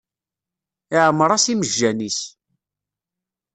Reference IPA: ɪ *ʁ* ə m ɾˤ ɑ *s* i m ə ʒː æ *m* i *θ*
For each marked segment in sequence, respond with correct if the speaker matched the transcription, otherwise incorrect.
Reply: incorrect, correct, incorrect, incorrect

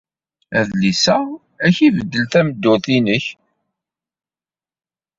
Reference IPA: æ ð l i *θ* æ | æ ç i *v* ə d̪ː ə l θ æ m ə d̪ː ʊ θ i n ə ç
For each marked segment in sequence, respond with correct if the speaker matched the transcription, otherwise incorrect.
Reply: incorrect, correct

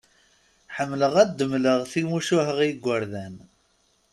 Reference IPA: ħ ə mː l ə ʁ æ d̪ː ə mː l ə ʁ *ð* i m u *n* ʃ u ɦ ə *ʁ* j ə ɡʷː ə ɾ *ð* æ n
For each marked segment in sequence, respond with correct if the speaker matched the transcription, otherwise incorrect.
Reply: incorrect, incorrect, correct, correct

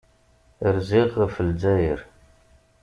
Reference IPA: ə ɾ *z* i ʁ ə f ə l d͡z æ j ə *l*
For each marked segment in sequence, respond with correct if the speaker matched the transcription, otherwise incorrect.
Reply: correct, incorrect

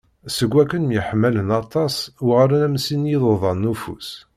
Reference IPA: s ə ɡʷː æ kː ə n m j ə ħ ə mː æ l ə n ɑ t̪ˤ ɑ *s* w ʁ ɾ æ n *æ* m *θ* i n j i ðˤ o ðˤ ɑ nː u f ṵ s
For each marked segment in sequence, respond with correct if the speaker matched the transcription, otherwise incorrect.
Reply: correct, correct, incorrect

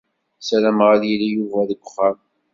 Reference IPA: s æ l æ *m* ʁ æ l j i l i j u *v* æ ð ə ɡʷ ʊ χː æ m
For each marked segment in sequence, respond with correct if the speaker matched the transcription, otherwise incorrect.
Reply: correct, correct

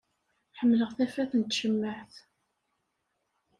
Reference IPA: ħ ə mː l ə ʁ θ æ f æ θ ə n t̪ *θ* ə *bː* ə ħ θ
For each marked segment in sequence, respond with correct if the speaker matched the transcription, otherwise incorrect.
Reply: incorrect, incorrect

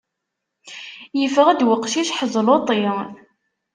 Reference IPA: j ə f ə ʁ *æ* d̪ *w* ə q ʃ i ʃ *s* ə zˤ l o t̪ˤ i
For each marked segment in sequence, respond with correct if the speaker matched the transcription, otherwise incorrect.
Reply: correct, correct, incorrect

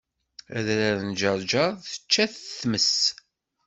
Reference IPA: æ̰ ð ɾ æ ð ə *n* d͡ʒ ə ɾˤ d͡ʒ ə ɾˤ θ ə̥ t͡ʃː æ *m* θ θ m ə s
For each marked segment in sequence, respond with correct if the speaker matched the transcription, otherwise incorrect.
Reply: correct, incorrect

